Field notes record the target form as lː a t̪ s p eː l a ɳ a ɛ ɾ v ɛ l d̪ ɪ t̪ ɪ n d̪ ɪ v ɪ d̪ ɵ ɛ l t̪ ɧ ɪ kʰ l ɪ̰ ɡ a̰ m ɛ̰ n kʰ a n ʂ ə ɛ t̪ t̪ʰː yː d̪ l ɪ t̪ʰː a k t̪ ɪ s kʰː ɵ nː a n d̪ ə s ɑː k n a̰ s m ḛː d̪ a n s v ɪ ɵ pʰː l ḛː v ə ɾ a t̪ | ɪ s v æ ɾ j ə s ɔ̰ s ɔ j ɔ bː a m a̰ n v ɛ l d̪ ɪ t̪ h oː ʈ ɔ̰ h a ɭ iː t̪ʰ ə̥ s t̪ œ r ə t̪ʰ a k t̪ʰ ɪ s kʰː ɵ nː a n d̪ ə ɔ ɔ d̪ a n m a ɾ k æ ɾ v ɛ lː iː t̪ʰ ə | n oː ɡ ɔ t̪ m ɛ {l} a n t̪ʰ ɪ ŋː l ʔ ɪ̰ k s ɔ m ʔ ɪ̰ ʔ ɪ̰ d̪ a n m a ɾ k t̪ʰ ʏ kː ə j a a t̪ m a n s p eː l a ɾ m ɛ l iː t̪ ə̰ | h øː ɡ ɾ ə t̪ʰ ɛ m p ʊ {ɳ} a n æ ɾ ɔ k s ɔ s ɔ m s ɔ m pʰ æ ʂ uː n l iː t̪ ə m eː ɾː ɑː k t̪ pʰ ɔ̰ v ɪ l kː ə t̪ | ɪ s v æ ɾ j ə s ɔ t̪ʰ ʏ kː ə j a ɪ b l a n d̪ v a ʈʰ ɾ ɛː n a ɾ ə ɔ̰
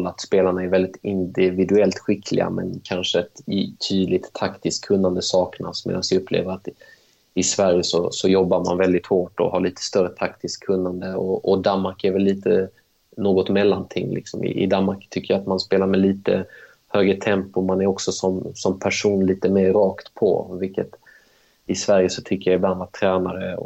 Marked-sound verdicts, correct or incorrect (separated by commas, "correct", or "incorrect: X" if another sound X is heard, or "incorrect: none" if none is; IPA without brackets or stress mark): incorrect: lː, incorrect: m